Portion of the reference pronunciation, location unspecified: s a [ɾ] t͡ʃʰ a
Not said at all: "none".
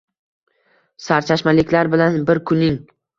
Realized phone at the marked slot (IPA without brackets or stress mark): ɾ